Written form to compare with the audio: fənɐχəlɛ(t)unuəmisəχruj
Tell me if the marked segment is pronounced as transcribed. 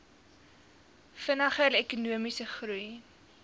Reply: no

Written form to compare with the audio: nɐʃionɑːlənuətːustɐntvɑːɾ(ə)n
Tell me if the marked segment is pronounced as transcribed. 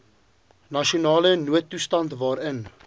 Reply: yes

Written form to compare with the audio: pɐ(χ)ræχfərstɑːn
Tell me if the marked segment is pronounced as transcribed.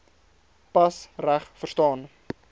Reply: no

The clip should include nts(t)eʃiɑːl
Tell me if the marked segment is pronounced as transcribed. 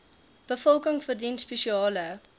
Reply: no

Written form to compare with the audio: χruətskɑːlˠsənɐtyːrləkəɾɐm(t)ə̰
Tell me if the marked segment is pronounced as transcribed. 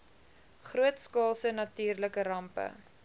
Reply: no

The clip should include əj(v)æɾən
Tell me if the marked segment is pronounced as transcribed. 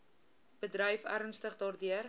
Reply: no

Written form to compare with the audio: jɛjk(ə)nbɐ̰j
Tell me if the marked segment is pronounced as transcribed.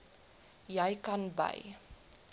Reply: no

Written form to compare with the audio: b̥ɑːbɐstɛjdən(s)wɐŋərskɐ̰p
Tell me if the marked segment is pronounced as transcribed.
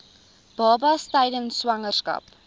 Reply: yes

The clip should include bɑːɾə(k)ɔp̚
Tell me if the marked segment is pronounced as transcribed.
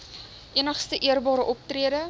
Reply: no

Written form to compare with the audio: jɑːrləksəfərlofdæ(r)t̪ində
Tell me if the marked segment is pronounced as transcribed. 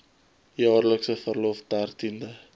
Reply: yes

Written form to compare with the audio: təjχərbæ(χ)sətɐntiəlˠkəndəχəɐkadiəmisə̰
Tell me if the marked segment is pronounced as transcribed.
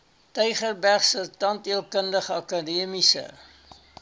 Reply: yes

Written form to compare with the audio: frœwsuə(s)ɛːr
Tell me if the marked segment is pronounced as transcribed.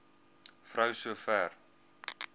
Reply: no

